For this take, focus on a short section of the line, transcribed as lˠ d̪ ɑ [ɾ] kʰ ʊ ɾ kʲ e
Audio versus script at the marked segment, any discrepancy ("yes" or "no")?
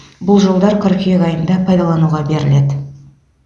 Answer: no